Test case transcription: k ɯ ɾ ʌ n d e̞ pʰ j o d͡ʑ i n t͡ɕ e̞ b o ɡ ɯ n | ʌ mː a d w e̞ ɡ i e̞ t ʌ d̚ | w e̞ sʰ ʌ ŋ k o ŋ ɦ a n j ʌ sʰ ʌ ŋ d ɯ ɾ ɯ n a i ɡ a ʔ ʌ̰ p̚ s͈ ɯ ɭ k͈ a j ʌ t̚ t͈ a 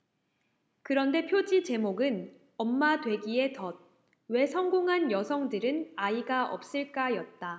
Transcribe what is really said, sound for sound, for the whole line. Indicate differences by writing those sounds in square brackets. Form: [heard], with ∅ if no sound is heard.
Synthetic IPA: k ɯ ɾ ʌ n d e̞ pʰ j o d͡ʑ i [∅] t͡ɕ e̞ [m] o ɡ ɯ n | ʌ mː a d w e̞ ɡ i e̞ t ʌ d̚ | w e̞ sʰ ʌ ŋ [ɡ] o ŋ ɦ a n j ʌ sʰ ʌ ŋ d ɯ ɾ ɯ n a i ɡ a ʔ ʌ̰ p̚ s͈ ɯ ɭ k͈ a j ʌ t̚ t͈ a